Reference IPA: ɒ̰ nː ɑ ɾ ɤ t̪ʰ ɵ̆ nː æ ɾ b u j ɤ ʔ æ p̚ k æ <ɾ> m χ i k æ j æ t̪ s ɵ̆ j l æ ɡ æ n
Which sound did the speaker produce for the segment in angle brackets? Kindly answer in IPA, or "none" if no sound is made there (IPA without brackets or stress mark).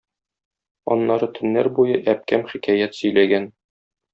none